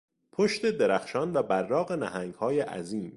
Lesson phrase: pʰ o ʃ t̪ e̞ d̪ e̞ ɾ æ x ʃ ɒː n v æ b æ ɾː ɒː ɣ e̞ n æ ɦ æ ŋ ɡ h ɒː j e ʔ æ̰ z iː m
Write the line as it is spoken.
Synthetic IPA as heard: pʰ o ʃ t̪ e̞ d̪ e̞ ɾ æ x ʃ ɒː n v æ b æ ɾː ɒː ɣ e̞ n æ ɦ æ ŋ ɡ h ɒː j e ʔ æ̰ z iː m